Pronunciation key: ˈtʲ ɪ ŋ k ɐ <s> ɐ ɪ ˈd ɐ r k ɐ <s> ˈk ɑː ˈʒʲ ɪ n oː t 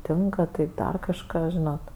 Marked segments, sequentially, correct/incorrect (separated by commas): incorrect, incorrect